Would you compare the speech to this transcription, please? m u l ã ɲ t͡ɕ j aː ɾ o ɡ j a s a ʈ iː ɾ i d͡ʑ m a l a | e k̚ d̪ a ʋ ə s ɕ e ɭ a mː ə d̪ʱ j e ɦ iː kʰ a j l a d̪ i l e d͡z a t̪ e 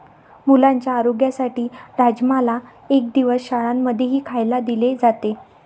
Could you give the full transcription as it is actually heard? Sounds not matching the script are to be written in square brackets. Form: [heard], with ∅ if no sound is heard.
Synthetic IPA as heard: m u l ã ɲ t͡ɕ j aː ɾ o ɡ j a s a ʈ iː ɾ [a] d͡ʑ m a l a | e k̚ d̪ [i] ʋ ə s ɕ [a] ɭ a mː ə d̪ʱ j e ɦ iː kʰ a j l a d̪ i l e d͡z a t̪ e